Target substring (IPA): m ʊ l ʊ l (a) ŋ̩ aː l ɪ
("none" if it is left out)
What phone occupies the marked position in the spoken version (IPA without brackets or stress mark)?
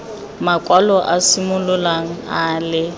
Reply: a